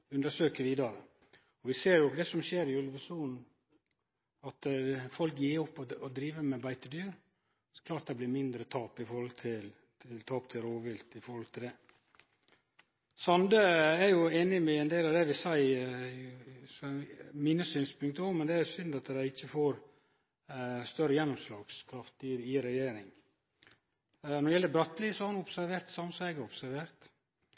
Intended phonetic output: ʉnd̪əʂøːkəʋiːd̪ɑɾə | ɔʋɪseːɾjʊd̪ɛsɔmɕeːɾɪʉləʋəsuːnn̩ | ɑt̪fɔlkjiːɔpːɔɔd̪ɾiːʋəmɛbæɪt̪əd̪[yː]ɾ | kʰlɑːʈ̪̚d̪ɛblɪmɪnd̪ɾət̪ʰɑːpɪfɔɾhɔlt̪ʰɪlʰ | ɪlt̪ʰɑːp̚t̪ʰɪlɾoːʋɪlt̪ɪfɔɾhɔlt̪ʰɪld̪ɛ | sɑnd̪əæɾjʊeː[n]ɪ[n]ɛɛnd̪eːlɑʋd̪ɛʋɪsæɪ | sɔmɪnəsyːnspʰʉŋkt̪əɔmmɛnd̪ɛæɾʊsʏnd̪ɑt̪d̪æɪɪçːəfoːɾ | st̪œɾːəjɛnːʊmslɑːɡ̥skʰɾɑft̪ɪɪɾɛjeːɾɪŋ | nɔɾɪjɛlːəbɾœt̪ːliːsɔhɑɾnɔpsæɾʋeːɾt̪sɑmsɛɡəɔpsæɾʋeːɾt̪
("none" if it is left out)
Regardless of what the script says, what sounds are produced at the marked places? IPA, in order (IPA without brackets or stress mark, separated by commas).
yː, n, m